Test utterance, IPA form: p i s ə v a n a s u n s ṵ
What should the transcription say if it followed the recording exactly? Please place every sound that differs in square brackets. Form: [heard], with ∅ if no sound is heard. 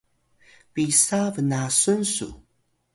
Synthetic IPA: p i s [a] v [ə] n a s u n s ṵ